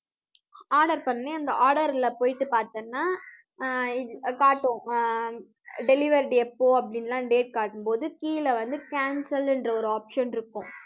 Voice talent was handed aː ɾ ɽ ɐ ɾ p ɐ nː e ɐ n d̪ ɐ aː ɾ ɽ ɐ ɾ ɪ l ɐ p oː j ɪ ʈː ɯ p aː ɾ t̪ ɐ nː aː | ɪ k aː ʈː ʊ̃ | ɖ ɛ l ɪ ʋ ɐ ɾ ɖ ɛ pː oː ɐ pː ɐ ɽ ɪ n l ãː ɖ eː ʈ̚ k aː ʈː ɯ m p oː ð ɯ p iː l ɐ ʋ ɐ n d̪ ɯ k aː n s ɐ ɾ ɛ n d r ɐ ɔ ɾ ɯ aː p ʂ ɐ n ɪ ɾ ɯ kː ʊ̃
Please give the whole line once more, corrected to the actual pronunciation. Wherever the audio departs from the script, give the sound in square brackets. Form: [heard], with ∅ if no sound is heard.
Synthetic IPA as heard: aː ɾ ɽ ɐ ɾ p ɐ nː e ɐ n d̪ ɐ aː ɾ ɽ ɐ ɾ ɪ l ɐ p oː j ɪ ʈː ɯ p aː ɾ t̪ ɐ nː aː | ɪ k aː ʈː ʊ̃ | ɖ ɛ l ɪ ʋ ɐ ɾ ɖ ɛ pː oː ɐ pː ɐ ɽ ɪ n l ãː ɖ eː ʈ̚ k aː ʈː ɯ m p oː ð ɯ [k] iː l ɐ ʋ ɐ n d̪ ɯ k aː n s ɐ [l] ɛ n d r ɐ ɔ ɾ ɯ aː p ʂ ɐ n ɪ ɾ ɯ kː ʊ̃